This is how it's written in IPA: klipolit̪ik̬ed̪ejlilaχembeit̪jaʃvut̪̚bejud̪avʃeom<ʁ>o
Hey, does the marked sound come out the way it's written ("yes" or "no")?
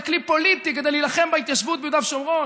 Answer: yes